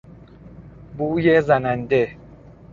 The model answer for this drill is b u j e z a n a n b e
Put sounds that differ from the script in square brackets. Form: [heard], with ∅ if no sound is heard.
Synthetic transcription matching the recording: b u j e z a n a n [d] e